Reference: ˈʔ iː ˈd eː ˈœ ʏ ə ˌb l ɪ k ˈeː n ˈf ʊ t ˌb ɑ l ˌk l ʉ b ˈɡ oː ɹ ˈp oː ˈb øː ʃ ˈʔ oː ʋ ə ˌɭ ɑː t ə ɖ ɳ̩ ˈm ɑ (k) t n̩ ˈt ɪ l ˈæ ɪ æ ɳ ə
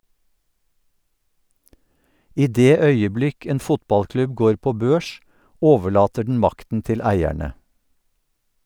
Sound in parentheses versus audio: correct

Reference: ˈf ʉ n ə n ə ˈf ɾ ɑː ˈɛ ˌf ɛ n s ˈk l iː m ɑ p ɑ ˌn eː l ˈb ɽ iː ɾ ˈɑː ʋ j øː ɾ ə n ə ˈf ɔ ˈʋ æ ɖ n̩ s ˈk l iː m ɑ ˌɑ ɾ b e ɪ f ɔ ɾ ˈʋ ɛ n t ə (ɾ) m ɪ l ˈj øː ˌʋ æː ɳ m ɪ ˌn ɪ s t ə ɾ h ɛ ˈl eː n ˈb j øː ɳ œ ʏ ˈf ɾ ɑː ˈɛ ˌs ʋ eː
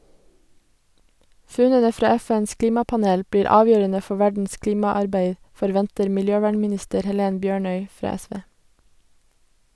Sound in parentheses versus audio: correct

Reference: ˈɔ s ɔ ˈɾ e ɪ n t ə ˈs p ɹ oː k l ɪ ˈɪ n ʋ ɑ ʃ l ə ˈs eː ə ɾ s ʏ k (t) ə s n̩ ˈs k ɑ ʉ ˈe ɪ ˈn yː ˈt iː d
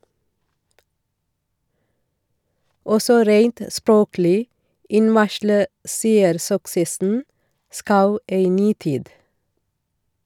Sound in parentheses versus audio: incorrect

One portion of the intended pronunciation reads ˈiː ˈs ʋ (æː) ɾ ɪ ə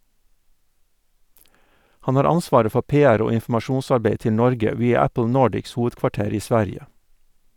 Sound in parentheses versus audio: incorrect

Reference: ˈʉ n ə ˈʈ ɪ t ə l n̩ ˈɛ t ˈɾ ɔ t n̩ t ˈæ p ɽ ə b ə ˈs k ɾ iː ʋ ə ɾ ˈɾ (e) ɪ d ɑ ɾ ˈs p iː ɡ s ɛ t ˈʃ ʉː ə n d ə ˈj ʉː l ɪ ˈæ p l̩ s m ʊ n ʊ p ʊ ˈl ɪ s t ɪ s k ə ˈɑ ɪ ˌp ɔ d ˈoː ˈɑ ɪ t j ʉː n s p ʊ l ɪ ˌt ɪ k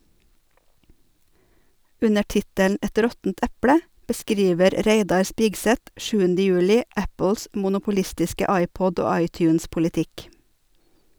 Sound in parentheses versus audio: correct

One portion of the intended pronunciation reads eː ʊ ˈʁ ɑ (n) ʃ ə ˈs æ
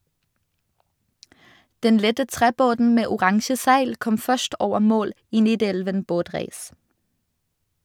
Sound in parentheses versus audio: incorrect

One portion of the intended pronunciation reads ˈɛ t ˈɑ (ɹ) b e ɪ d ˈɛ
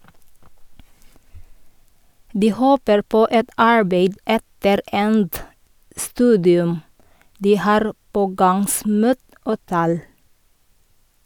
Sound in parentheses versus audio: correct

